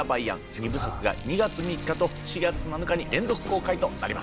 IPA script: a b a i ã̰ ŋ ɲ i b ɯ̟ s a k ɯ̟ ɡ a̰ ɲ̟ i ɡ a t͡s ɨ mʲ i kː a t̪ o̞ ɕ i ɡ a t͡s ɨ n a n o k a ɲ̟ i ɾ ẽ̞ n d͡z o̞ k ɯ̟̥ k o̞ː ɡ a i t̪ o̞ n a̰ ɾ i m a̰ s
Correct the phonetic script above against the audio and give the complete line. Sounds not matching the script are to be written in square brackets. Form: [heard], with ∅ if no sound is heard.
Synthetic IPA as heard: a b a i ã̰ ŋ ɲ i b ɯ̟ s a k ɯ̟ ɡ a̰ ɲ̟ i ɡ a t͡s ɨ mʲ i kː a t̪ o̞ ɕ i ɡ a t͡s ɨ n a n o k a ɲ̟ i ɾ ẽ̞ n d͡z o̞ k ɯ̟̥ k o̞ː [k] a i t̪ o̞ n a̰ ɾ i m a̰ s